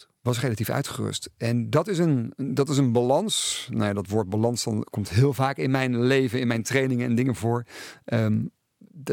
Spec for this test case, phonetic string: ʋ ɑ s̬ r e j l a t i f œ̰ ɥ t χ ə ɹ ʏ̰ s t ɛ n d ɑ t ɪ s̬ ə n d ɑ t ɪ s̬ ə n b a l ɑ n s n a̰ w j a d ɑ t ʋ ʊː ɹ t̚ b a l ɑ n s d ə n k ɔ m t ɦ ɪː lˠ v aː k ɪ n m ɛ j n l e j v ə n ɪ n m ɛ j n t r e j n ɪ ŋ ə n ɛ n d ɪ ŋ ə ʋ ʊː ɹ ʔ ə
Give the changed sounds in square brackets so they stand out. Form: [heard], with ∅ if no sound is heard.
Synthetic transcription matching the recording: ʋ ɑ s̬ r e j l a t i f œ̰ ɥ t χ ə [r] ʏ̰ s t ɛ n d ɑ t ɪ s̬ ə n d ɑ t ɪ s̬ ə n b a l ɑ n s n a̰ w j a d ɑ t ʋ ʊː ɹ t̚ b a l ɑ n s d [ɑ] n k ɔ m t ɦ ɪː lˠ v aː k ɪ n m ɛ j n l e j v ə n ɪ n m ɛ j n t r e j n ɪ ŋ ə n ɛ n d ɪ ŋ ə [v] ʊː ɹ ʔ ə